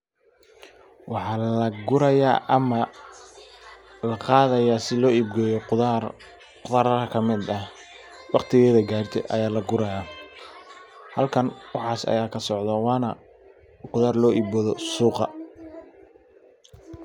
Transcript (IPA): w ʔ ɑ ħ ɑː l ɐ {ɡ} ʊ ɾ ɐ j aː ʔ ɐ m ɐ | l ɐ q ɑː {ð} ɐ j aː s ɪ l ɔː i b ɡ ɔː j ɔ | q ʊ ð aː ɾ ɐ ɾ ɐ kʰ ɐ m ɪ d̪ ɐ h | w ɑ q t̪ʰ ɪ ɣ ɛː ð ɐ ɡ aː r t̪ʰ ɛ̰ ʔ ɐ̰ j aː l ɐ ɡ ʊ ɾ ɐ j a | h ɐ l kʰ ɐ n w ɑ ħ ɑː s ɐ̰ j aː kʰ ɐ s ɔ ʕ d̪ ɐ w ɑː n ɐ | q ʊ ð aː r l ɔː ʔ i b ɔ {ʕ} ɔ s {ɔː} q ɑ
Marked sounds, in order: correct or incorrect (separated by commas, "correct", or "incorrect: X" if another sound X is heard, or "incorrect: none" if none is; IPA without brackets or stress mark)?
correct, correct, incorrect: ð, incorrect: uː